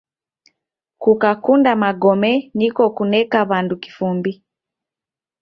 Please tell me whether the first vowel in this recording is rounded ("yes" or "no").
yes